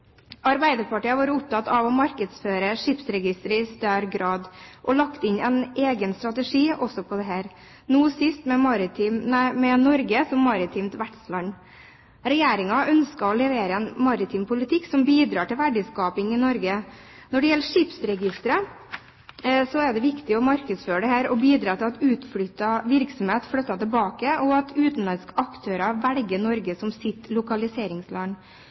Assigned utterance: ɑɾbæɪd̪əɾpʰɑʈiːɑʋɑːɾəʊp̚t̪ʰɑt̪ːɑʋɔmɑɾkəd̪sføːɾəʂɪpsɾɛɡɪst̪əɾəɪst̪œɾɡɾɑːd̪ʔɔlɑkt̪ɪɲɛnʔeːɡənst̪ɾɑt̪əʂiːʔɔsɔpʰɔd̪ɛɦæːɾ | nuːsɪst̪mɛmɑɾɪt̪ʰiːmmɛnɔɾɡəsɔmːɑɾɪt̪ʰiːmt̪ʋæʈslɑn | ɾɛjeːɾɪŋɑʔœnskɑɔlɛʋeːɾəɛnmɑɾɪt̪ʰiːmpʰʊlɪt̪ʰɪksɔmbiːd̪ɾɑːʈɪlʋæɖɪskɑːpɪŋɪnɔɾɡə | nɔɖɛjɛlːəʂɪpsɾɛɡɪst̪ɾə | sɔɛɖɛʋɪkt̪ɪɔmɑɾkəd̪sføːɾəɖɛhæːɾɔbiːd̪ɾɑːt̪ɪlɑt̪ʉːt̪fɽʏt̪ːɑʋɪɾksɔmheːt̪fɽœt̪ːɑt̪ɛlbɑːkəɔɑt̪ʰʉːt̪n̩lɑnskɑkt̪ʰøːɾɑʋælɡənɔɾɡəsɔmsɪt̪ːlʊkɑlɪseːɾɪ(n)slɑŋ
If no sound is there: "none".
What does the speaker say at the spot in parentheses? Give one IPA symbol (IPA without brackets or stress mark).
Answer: ŋ